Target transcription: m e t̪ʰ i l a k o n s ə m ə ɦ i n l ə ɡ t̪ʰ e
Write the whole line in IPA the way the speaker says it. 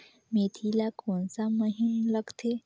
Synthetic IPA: m e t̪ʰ i l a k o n s a m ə ɦ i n l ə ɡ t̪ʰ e